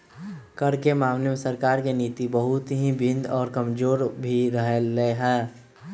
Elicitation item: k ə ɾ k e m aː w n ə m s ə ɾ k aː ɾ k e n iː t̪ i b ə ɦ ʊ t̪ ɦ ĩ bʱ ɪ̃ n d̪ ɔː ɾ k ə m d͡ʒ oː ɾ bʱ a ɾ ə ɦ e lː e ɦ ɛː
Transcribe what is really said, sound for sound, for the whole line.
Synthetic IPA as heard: k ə ɾ k e m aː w n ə m s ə ɾ k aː ɾ k e n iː t̪ i b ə ɦ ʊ t̪ ɦ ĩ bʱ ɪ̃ n d̪ ɔː ɾ k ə m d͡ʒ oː ɾ bʱ i ɾ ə ɦ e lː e ɦ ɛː